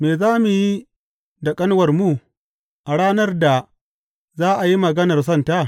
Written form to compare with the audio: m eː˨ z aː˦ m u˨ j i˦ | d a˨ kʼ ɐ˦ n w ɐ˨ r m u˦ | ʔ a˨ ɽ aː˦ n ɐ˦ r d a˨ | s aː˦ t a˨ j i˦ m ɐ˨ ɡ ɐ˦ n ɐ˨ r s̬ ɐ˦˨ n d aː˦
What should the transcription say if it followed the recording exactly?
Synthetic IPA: m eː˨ z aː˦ m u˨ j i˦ | d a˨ kʼ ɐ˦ n w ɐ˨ r m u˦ | ʔ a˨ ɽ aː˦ n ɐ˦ r d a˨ | z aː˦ ʔ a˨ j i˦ m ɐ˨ ɡ ɐ˦ n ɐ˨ r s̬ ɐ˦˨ n t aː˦